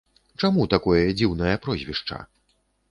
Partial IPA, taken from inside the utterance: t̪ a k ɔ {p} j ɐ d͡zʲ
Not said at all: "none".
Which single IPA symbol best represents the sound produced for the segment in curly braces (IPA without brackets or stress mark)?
none